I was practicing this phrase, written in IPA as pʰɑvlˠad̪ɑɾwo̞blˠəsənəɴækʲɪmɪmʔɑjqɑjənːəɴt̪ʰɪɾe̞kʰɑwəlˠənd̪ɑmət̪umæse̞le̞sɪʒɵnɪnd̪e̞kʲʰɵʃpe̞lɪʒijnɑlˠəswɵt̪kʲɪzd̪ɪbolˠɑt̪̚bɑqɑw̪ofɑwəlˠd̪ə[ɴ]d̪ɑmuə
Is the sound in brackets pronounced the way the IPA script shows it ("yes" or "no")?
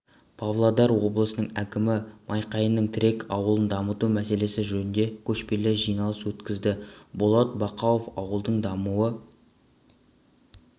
yes